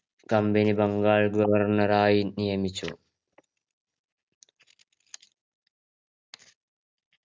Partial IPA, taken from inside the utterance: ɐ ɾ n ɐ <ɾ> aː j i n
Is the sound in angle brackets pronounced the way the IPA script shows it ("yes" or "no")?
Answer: yes